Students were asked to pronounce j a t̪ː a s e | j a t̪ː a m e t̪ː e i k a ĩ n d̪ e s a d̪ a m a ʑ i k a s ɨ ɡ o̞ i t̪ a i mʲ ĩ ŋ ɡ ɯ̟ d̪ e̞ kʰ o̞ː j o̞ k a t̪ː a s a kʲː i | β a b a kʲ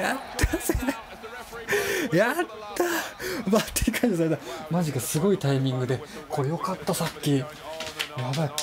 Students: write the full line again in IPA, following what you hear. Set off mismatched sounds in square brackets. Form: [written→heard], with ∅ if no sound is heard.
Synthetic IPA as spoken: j a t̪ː a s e | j a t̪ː a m [e→a] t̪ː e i k a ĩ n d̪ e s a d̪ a m a ʑ i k a s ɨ ɡ o̞ i t̪ a i mʲ ĩ ŋ ɡ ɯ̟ d̪ e̞ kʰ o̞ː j o̞ k a t̪ː a s a kʲː i | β a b a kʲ